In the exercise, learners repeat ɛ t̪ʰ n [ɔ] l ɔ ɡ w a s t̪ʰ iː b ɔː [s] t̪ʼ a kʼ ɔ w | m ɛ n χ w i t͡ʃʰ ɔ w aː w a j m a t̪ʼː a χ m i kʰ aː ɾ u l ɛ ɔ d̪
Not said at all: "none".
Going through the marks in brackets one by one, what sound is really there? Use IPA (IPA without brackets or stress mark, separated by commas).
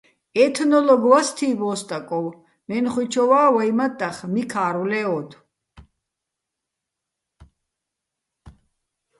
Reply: ɔ, s